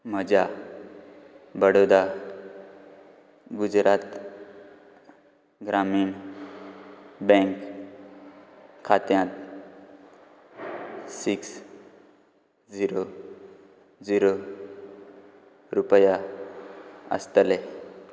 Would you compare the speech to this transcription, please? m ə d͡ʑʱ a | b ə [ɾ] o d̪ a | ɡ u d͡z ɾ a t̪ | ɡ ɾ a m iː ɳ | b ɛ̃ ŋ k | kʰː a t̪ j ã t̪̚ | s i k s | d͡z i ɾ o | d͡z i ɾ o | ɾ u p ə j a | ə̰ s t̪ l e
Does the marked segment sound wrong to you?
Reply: yes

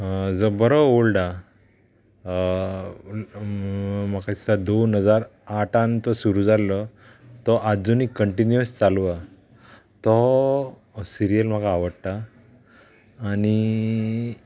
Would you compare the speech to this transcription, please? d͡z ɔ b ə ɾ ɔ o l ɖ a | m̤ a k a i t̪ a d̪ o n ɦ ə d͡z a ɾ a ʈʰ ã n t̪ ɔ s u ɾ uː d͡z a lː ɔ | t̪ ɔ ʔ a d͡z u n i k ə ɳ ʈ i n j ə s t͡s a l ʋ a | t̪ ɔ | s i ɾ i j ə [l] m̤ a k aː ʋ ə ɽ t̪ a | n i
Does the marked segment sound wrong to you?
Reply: no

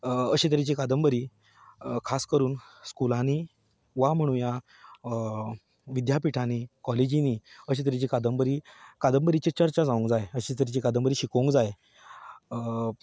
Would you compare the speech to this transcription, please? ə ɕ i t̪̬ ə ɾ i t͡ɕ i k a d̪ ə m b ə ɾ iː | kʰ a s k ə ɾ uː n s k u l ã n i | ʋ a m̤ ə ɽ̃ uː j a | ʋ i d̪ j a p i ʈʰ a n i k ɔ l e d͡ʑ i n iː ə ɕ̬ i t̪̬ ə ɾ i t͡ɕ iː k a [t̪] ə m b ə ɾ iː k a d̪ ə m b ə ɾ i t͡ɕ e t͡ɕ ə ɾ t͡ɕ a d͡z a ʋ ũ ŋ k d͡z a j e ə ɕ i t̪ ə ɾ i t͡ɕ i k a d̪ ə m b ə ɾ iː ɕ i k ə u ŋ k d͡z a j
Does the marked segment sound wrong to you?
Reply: yes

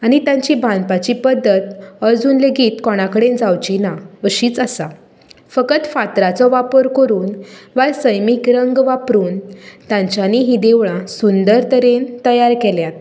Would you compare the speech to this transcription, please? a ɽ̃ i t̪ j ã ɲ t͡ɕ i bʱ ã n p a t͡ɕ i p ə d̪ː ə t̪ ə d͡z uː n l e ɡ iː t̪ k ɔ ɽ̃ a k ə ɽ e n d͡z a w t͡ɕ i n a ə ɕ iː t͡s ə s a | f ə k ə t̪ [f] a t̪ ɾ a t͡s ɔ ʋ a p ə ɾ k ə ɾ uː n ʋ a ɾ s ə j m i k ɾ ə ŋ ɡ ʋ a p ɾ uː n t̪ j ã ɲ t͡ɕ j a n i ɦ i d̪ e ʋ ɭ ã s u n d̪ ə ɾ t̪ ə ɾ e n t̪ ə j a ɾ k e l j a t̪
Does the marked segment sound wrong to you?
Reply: no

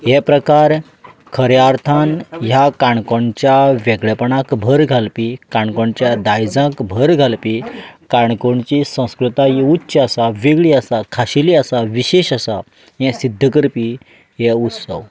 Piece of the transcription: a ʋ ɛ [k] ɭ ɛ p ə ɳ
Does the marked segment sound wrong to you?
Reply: yes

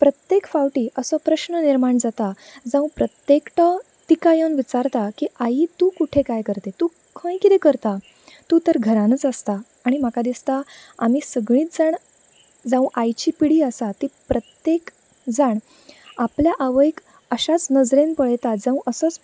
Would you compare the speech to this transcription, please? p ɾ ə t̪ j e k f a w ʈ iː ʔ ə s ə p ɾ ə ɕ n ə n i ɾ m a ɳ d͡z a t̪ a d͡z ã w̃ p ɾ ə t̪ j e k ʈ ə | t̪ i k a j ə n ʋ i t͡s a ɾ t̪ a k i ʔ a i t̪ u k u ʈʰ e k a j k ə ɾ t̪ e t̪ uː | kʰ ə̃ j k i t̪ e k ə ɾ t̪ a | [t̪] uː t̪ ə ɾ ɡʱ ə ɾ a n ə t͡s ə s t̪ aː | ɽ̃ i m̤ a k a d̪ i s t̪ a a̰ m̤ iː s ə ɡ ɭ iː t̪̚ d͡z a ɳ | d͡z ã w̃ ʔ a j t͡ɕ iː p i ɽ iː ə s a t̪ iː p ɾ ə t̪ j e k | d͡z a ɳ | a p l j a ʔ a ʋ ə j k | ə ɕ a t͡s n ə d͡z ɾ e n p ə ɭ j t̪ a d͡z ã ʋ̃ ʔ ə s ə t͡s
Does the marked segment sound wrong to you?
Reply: no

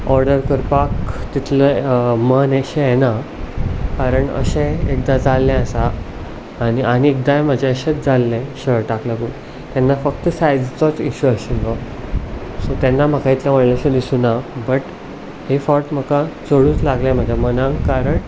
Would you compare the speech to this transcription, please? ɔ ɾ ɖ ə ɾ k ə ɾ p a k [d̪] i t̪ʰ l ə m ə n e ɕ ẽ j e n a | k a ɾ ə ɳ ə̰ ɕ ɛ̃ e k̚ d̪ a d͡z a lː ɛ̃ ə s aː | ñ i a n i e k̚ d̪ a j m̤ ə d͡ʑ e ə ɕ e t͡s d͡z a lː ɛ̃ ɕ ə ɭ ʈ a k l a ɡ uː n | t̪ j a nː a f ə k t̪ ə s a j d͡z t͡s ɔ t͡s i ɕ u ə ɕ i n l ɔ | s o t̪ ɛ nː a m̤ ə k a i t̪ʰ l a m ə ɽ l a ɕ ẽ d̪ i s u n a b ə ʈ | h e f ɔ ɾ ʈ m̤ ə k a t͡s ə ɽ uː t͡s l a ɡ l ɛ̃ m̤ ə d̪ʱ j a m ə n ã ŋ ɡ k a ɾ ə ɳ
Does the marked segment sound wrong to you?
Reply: yes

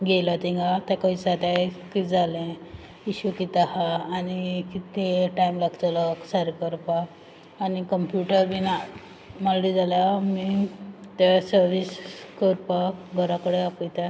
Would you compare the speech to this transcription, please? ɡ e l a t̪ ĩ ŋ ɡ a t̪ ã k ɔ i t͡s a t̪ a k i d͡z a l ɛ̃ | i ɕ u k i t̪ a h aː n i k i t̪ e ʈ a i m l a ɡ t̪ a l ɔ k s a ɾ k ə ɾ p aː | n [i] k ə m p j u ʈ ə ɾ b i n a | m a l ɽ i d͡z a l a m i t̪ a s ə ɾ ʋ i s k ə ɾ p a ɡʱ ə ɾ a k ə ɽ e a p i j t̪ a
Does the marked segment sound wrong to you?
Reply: no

